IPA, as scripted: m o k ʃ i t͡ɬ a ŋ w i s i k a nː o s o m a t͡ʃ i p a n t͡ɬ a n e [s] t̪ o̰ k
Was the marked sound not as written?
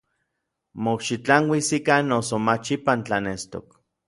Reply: no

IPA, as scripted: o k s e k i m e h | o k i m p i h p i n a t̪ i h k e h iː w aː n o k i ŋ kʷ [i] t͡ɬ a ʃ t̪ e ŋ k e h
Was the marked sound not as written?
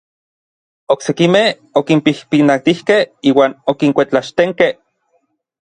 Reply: yes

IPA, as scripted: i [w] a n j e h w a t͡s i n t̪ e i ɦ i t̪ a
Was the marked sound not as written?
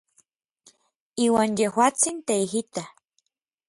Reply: no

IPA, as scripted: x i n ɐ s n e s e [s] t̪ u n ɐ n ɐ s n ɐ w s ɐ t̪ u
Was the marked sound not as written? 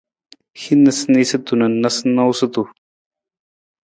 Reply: yes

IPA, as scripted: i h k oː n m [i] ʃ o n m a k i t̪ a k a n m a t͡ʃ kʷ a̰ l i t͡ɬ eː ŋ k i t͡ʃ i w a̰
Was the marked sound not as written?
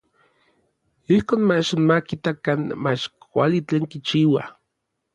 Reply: yes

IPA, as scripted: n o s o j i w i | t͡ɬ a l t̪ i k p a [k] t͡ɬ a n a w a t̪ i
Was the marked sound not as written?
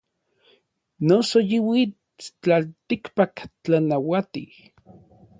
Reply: no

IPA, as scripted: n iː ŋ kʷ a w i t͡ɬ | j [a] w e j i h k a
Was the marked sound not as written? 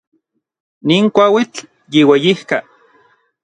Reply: yes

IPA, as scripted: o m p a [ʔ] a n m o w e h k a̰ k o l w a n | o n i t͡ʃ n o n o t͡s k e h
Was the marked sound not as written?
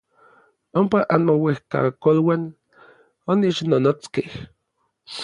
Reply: no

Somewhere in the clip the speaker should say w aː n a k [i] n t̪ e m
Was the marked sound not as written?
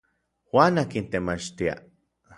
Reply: no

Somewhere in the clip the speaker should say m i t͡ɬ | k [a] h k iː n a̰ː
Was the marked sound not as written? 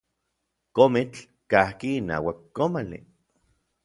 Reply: no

